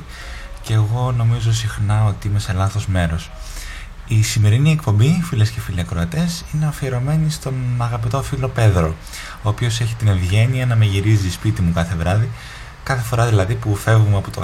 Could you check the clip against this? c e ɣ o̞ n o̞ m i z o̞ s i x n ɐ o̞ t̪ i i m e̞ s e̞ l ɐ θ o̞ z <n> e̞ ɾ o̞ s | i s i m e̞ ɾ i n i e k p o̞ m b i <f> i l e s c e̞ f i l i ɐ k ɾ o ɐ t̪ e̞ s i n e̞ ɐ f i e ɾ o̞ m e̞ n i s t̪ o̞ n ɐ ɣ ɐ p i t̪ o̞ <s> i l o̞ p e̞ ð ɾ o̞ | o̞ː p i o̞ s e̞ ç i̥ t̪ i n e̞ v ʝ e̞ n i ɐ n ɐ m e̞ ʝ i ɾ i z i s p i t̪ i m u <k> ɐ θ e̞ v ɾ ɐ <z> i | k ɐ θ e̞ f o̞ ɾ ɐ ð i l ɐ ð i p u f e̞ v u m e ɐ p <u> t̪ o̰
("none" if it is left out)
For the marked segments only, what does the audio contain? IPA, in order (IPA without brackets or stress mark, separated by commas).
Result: m, f, f, k, ð, o